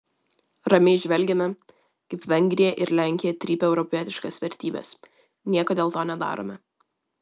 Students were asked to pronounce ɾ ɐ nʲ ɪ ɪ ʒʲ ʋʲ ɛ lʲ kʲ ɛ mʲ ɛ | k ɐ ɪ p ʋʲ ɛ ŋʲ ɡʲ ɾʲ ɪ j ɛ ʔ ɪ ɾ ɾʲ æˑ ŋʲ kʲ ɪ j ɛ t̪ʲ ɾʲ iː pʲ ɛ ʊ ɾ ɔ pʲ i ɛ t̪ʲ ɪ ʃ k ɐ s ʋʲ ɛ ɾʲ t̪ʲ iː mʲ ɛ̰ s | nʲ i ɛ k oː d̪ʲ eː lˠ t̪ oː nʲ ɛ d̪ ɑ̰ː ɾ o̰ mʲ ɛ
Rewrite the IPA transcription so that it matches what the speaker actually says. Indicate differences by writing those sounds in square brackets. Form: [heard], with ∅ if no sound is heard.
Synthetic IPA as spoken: ɾ ɐ [mʲ] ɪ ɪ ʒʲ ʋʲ ɛ lʲ [ɡʲ] ɛ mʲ ɛ | k ɐ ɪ p ʋʲ ɛ ŋʲ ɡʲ ɾʲ ɪ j ɛ ʔ ɪ ɾ [lʲ] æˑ ŋʲ kʲ ɪ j ɛ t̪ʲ ɾʲ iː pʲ ɛ ʊ ɾ ɔ pʲ i ɛ t̪ʲ ɪ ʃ k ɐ s ʋʲ ɛ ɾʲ t̪ʲ iː [bʲ] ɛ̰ s | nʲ i ɛ k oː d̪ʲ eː lˠ t̪ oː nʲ ɛ d̪ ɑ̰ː ɾ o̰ mʲ ɛ